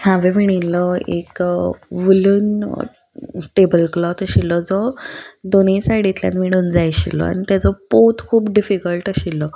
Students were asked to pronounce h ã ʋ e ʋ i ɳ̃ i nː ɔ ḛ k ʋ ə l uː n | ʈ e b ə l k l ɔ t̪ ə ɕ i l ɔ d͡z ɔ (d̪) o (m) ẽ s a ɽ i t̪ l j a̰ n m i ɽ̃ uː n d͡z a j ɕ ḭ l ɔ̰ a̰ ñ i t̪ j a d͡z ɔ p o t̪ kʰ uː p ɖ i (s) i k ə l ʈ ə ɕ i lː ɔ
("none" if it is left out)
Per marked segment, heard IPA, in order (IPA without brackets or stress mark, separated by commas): d̪, n, f